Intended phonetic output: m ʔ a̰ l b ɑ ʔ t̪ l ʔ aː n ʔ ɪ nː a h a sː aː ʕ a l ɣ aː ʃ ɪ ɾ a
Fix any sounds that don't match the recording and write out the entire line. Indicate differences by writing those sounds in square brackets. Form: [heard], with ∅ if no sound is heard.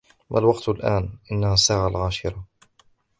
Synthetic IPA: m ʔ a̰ l [w] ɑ [q] t̪ l ʔ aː n ʔ ɪ nː a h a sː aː ʕ a l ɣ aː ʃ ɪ ɾ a